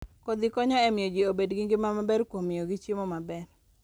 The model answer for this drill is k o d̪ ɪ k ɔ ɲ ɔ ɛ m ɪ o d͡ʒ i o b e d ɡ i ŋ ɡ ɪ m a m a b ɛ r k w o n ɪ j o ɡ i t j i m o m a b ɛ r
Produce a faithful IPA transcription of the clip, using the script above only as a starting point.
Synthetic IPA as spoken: k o d̪ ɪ k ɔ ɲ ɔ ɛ m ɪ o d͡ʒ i o b e d ɡ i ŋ ɡ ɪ m a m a b ɛ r k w o m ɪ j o ɡ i t͡ʃ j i m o m a b ɛ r